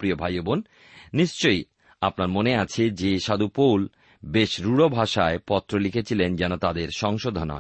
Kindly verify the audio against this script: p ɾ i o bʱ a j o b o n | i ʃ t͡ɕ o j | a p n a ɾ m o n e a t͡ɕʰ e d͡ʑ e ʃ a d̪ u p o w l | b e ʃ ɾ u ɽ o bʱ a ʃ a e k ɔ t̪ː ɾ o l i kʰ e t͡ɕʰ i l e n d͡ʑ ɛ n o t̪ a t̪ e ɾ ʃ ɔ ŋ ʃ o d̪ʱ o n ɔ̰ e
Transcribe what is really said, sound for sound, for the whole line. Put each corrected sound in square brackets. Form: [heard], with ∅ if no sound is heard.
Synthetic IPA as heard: p ɾ i o bʱ a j o b o [nː] | i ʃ t͡ɕ o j | a p n a ɾ m o n e a t͡ɕʰ e d͡ʑ e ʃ a d̪ u p o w l | b e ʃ ɾ u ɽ o bʱ a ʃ a e [p] ɔ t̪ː ɾ o l i kʰ e t͡ɕʰ i l e n d͡ʑ ɛ n o t̪ a [d̪] e ɾ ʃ ɔ ŋ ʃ o d̪ʱ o n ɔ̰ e